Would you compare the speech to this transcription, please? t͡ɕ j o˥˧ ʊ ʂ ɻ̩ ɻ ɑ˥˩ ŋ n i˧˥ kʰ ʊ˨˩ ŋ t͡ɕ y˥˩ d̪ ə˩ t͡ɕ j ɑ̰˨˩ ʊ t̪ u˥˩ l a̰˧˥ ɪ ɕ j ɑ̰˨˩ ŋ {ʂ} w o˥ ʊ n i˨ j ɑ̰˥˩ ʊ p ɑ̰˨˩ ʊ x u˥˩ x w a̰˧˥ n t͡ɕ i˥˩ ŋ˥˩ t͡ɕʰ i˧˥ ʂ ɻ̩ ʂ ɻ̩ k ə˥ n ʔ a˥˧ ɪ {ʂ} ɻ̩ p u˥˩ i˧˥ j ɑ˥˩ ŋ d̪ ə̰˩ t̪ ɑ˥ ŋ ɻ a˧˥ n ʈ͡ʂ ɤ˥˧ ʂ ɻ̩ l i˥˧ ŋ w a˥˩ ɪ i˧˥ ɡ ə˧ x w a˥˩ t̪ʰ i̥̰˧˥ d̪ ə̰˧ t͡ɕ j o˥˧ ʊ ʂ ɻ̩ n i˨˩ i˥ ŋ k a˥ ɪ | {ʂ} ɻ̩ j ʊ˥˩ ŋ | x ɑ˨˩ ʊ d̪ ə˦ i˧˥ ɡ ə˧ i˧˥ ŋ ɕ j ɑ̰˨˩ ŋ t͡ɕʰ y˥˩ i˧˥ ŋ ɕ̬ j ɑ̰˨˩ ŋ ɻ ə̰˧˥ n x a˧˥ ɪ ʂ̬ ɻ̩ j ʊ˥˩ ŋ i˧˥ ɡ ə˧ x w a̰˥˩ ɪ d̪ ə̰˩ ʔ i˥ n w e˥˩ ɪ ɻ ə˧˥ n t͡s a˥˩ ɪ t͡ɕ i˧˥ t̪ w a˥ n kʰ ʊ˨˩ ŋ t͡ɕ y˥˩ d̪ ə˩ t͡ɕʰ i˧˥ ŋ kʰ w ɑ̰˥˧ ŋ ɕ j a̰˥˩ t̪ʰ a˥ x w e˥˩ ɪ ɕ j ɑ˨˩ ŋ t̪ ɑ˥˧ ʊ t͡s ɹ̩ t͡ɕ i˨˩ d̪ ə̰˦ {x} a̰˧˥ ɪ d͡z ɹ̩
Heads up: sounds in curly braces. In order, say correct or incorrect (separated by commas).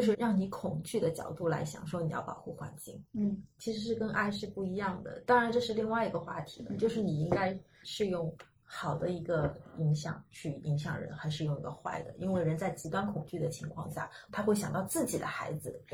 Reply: correct, correct, correct, correct